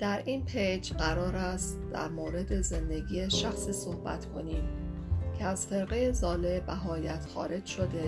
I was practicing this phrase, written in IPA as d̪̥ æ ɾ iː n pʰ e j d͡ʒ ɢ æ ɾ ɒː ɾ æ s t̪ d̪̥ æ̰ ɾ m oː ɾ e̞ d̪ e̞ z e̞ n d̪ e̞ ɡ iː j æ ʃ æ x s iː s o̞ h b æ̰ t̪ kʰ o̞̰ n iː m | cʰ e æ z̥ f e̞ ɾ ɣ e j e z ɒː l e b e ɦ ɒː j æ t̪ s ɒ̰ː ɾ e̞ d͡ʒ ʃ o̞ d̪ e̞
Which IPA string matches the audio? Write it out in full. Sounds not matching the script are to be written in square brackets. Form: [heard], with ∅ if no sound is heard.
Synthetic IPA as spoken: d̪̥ æ ɾ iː n pʰ e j d͡ʒ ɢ æ ɾ ɒː ɾ æ s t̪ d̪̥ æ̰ ɾ m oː ɾ e̞ d̪ e̞ z e̞ n d̪ e̞ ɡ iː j [e] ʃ æ x s iː s o̞ h b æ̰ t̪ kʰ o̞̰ n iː m | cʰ e æ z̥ f e̞ ɾ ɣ e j e z ɒː l e b [æ] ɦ ɒː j æ t̪ [x] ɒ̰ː ɾ e̞ d͡ʒ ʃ o̞ d̪ e̞